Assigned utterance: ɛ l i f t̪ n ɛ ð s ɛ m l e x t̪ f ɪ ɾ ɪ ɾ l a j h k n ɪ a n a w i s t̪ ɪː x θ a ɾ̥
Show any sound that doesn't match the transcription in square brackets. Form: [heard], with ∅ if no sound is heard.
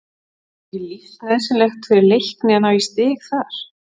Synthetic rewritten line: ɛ l i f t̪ n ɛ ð s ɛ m l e x t̪ f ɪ ɾ ɪ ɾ l [e] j h k n ɪ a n a w i s t̪ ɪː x θ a ɾ̥